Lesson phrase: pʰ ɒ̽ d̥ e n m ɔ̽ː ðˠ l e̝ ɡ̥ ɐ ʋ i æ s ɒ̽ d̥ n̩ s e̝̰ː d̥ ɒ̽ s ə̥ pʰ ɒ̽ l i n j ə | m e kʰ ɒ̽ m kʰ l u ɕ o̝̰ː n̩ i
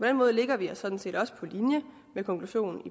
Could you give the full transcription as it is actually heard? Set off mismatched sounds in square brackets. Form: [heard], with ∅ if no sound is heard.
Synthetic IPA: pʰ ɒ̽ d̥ e n m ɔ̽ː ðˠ l e̝ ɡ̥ ɐ ʋ i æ s ɒ̽ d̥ n̩ s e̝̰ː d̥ ɒ̽ s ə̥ pʰ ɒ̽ l i n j ə | m e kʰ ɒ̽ [ŋ] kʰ l u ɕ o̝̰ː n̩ i